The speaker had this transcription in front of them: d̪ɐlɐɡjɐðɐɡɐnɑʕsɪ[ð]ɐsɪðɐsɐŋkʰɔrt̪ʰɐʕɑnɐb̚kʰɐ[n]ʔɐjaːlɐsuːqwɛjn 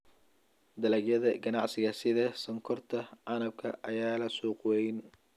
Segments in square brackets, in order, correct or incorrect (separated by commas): incorrect, incorrect